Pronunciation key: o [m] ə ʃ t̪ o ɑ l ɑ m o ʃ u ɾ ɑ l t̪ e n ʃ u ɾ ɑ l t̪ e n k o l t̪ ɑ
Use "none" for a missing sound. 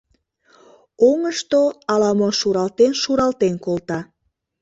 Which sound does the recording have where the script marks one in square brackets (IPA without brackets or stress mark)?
ŋ